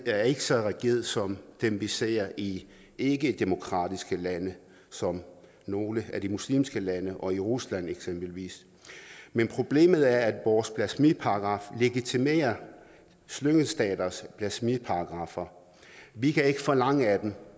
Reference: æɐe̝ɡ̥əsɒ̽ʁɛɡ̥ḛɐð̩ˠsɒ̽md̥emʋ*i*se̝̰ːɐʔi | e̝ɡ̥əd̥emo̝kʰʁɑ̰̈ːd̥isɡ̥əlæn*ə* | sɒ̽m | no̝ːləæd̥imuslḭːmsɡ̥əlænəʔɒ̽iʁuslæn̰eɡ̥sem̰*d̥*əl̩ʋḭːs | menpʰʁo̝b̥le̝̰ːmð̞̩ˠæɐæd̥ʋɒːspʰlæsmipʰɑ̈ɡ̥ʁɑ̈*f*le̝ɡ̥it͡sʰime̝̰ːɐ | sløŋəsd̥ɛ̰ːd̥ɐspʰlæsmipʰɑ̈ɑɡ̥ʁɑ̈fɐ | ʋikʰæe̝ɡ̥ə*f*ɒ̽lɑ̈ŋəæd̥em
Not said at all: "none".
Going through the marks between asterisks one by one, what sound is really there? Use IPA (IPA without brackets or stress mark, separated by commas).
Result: i, ə, b̥, f, f